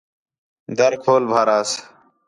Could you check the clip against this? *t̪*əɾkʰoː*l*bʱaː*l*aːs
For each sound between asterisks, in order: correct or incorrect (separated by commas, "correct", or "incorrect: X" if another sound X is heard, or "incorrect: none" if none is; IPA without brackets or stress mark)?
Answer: incorrect: d̪, correct, incorrect: ɾ